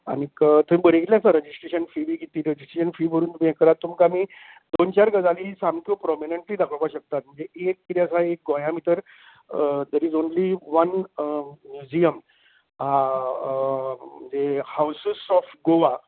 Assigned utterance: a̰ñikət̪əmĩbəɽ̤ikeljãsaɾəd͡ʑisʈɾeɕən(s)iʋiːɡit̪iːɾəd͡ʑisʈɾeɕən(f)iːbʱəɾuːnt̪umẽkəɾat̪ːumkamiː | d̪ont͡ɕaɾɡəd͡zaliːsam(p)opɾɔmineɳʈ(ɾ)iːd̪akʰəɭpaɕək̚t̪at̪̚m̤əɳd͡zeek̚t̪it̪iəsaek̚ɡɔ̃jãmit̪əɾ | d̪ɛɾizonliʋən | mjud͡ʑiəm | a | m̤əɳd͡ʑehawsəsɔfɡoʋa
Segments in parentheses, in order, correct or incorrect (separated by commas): incorrect, correct, incorrect, incorrect